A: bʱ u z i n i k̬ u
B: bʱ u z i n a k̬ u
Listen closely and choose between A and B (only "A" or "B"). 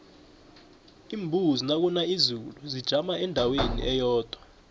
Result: B